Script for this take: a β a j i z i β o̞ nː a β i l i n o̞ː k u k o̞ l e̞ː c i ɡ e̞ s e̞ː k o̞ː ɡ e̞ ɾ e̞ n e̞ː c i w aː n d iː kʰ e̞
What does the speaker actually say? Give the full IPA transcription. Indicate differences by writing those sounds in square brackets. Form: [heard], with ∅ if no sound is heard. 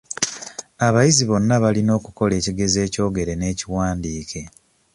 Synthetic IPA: a β a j i z i β o̞ nː a β [a] l i n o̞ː k u k o̞ l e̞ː c i ɡ e̞ [z] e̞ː [c] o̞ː ɡ e̞ ɾ e̞ n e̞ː c i w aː n d iː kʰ e̞